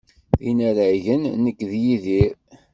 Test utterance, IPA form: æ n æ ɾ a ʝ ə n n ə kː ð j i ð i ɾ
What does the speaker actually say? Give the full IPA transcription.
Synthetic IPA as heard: i n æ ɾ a ʝ ə n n ə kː ð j i ð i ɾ